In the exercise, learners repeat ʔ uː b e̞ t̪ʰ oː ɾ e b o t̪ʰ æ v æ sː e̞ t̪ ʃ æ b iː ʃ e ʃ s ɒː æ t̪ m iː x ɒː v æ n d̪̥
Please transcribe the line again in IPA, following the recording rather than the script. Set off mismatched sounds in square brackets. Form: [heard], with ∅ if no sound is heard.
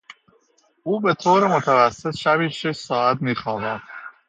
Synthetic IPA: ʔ uː b e̞ t̪ʰ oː ɾ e [m] o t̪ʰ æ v æ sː e̞ t̪ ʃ æ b iː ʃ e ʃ s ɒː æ t̪ m iː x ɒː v æ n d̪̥